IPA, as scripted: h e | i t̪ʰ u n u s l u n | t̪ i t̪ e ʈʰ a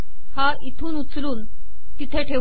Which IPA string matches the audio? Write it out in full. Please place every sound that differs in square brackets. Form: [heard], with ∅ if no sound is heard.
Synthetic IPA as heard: h [a] | i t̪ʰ [uː] n u [t͡s] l [uː] n | t̪ i [t̪ʰ] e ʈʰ [e]